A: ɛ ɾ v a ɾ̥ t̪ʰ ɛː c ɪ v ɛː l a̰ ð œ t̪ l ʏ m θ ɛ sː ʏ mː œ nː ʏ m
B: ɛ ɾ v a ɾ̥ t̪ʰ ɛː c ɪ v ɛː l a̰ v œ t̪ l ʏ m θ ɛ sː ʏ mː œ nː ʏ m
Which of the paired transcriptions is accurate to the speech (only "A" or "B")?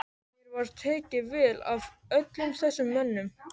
B